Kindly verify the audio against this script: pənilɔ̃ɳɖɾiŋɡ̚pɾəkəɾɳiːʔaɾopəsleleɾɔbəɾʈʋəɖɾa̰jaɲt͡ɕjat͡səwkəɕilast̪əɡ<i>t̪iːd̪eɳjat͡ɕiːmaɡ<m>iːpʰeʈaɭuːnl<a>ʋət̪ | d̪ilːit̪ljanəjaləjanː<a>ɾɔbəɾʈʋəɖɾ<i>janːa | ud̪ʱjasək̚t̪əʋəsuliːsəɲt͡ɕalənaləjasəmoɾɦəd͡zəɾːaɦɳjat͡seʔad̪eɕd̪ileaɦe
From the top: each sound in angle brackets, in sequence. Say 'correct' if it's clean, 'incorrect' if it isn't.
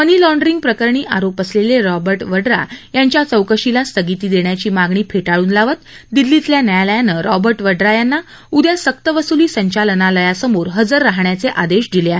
correct, incorrect: ɳ, correct, incorrect: ə, incorrect: a

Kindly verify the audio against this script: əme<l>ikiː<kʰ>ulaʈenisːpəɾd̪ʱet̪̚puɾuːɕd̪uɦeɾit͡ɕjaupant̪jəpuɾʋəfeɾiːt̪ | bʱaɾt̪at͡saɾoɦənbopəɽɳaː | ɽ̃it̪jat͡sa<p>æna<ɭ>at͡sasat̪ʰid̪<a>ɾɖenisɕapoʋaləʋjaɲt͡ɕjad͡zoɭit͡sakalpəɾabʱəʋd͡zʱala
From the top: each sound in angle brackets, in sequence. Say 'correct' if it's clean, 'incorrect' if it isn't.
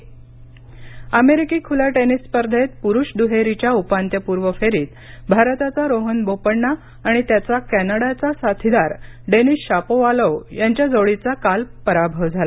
incorrect: ɾ, correct, incorrect: k, incorrect: ɽ, correct

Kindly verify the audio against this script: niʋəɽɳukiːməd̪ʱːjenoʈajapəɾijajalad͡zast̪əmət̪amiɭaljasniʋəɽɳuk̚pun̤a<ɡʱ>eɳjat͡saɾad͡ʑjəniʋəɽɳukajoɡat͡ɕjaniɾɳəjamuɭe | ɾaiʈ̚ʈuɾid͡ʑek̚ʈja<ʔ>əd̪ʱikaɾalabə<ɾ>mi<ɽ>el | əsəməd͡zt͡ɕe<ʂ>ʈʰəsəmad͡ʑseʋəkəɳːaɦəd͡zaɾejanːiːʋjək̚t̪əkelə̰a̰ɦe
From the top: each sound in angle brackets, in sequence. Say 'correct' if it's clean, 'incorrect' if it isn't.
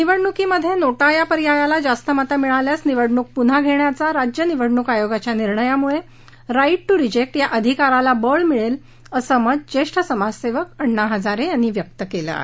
correct, correct, incorrect: ɭ, incorrect: ɭ, correct

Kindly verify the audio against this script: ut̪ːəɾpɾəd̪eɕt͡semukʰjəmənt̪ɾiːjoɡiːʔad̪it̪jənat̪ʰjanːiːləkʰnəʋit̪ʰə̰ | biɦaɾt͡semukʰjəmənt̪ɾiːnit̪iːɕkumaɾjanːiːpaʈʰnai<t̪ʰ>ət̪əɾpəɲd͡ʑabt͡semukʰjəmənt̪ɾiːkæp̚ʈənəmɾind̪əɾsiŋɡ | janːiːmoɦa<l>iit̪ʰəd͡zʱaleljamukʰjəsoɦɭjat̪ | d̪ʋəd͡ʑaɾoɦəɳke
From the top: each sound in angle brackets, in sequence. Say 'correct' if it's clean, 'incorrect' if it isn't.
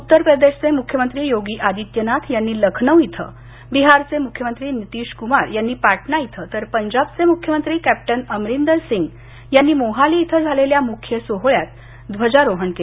correct, correct

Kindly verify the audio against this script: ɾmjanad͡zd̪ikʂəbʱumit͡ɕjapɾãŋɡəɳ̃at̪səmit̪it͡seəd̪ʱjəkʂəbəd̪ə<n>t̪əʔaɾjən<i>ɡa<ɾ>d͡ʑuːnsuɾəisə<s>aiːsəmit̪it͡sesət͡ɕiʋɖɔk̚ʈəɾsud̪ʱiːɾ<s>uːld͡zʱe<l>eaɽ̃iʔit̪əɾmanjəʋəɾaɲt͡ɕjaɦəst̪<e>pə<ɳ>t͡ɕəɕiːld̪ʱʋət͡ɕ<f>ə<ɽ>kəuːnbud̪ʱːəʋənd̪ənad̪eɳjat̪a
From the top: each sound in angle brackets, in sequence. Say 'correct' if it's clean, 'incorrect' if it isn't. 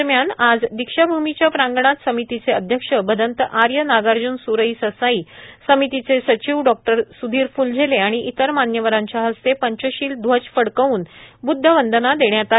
correct, incorrect: a, correct, correct, incorrect: f, correct, correct, incorrect: ɲ, correct, correct

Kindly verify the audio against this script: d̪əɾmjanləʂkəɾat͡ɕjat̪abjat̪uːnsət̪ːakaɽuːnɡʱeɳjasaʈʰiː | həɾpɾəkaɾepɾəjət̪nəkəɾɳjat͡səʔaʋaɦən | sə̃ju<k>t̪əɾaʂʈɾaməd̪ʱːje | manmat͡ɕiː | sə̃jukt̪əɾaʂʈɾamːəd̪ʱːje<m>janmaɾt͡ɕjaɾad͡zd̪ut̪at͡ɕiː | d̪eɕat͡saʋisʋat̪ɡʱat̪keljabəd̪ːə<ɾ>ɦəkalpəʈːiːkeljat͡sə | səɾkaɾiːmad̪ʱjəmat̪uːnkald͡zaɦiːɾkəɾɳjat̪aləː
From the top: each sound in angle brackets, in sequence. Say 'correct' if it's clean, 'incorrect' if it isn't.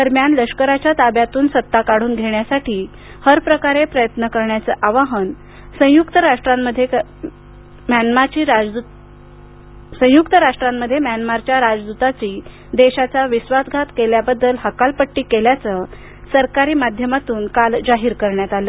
correct, correct, incorrect: l

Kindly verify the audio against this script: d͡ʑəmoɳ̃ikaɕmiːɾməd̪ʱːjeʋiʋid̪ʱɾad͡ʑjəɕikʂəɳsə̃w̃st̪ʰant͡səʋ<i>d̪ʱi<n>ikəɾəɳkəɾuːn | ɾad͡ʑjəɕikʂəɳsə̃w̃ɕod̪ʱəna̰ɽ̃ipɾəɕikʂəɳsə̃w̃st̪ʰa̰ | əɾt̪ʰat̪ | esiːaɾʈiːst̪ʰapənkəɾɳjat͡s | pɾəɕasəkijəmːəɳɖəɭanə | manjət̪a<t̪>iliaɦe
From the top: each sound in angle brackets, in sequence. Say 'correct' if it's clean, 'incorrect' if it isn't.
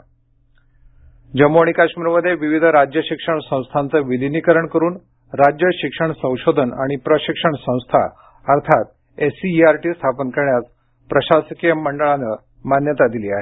correct, correct, incorrect: d̪

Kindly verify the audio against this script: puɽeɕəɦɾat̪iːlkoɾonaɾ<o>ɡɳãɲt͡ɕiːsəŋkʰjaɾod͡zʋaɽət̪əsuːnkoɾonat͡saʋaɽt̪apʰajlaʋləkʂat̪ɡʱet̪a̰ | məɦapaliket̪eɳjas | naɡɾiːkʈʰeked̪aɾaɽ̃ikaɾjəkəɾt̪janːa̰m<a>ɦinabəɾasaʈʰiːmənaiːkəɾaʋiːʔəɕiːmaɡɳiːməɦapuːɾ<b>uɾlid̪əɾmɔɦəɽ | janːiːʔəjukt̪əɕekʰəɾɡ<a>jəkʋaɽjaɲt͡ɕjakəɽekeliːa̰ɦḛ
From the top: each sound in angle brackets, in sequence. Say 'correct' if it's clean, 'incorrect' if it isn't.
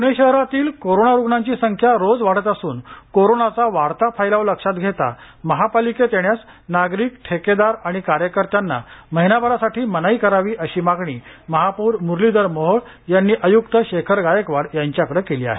incorrect: u, incorrect: ə, incorrect: m, correct

